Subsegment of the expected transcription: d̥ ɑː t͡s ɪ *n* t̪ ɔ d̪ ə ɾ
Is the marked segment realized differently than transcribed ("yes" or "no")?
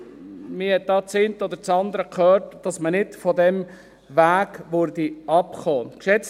no